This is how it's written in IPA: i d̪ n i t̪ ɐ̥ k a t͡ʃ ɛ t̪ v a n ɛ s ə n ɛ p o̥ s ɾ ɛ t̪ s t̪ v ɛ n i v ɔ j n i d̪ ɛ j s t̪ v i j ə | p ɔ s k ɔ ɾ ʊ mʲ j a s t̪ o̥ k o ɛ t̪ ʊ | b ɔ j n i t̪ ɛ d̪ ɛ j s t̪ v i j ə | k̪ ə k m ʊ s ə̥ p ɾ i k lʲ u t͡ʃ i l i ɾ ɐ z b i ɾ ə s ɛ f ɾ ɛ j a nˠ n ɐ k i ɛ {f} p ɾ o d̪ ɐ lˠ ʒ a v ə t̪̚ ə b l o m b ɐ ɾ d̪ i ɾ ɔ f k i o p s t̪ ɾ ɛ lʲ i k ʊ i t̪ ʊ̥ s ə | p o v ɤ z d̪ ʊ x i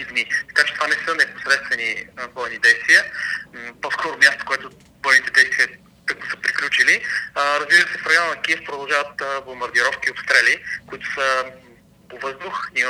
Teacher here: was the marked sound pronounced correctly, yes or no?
yes